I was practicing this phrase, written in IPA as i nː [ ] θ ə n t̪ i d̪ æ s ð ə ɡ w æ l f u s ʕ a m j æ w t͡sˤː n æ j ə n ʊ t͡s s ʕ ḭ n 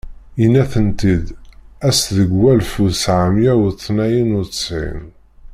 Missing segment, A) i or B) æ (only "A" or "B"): B